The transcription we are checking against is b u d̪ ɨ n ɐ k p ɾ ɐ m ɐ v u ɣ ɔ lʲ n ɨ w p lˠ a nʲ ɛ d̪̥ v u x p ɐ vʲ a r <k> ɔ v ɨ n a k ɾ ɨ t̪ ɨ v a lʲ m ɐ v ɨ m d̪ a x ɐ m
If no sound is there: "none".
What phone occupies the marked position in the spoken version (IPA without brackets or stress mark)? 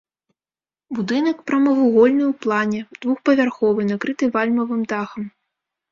x